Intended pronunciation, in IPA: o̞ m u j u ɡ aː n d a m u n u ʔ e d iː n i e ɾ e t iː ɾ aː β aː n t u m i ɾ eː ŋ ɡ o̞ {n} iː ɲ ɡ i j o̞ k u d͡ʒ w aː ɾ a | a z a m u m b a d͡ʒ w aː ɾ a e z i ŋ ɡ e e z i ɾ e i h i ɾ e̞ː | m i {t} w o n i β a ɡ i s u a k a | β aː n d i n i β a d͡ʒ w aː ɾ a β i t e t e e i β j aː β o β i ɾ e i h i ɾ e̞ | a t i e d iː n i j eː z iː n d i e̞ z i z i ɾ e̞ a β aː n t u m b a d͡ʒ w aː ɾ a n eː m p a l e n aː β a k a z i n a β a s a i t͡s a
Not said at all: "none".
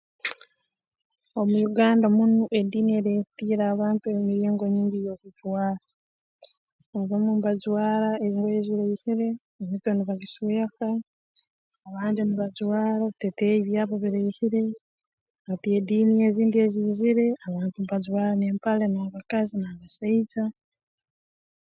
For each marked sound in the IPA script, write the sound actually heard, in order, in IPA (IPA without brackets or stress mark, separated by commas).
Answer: ɲ, t